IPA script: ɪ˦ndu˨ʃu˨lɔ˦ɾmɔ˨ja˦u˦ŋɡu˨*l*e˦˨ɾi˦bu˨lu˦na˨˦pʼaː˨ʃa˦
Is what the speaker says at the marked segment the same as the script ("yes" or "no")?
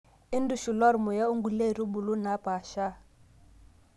yes